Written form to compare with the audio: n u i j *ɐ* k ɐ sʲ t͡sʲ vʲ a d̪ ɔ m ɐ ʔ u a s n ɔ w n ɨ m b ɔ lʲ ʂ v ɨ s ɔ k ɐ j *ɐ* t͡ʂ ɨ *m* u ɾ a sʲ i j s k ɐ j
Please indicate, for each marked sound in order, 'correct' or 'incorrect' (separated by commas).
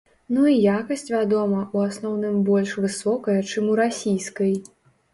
incorrect, correct, correct